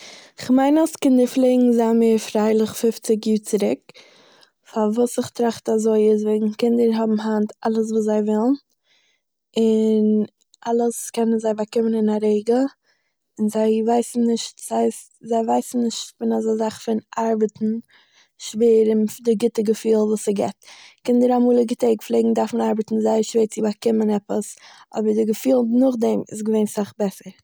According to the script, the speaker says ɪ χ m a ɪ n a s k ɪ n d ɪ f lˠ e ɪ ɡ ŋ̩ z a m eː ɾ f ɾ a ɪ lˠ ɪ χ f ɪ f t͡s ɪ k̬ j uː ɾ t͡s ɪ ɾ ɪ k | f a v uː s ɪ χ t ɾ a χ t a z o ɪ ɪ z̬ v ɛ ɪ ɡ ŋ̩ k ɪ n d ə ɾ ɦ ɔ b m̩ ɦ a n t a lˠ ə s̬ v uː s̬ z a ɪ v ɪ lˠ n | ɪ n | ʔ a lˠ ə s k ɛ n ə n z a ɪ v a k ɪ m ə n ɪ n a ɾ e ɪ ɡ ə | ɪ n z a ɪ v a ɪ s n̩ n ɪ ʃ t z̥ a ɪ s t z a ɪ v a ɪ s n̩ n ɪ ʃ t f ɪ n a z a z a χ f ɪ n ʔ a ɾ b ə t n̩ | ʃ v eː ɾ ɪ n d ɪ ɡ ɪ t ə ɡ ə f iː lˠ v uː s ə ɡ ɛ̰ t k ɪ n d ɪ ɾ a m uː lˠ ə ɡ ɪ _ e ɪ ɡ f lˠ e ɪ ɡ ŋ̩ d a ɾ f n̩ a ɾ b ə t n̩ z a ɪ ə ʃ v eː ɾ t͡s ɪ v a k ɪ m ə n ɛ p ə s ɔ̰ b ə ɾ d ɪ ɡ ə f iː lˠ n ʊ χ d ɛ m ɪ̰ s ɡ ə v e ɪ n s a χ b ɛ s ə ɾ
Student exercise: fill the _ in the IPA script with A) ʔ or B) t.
B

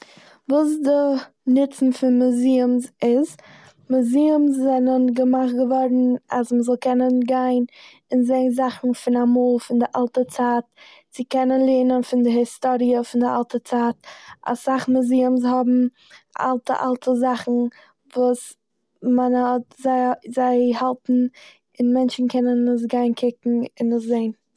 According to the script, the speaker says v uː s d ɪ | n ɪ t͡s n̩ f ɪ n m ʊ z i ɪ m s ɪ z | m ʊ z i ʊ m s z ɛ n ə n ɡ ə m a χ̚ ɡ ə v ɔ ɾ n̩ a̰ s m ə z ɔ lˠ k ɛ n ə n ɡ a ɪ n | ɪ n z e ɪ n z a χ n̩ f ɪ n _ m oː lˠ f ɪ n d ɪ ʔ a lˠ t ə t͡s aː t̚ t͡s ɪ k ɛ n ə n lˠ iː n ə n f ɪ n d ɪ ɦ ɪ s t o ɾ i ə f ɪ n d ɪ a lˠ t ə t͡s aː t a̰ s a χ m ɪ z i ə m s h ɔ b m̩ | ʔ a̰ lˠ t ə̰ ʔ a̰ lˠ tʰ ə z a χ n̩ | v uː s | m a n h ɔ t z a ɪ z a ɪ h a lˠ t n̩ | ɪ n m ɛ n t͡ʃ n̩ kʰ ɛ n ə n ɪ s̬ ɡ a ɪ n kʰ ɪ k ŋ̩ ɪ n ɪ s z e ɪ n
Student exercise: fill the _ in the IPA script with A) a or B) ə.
A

